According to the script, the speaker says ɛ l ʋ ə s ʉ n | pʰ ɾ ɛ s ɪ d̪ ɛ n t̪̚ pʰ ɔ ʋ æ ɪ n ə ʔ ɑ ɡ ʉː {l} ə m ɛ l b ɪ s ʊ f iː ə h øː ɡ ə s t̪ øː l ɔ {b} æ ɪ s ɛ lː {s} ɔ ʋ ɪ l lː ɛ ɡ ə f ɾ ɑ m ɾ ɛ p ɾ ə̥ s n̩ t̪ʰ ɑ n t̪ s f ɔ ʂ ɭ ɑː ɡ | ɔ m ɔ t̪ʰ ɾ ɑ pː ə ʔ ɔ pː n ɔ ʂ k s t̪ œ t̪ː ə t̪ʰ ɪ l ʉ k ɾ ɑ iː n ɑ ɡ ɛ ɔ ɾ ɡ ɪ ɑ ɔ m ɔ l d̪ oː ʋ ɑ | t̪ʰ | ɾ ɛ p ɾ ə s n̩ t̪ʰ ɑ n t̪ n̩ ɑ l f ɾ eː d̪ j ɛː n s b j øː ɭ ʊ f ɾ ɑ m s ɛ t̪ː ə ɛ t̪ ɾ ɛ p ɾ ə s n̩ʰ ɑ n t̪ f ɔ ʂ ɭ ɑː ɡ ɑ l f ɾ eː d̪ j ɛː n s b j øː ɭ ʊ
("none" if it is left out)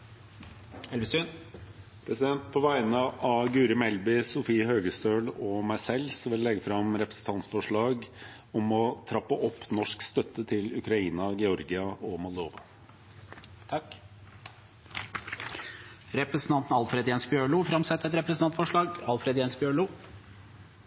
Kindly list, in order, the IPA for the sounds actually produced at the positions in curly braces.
ɾ, m, s

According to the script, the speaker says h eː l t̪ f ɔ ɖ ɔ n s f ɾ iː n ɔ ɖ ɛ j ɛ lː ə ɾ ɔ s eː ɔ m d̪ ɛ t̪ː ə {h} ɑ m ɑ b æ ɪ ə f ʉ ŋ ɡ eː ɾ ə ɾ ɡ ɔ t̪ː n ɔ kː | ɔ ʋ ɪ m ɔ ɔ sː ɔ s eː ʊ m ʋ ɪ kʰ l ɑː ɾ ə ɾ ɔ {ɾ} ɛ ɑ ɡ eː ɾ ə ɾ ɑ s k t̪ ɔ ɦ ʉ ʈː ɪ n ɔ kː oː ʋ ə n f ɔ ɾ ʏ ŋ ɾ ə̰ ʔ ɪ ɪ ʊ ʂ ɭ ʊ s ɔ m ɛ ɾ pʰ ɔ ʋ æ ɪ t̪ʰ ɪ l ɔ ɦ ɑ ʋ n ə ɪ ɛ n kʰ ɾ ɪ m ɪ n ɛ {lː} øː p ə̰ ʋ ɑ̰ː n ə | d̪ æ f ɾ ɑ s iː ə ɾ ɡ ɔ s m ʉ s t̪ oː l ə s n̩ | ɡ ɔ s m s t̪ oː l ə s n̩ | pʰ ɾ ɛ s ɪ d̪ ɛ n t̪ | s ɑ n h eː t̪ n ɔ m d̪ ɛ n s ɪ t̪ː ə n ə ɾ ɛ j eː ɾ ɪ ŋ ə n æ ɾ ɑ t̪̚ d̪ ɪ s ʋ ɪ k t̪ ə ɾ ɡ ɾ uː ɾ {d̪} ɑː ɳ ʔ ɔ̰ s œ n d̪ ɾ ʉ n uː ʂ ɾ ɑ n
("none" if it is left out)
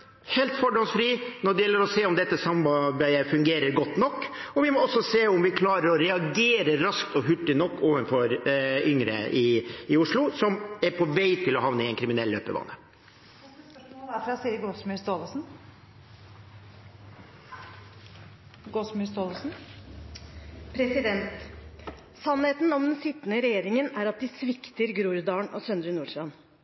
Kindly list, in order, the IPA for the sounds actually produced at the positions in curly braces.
s, ɾ, lː, d̪

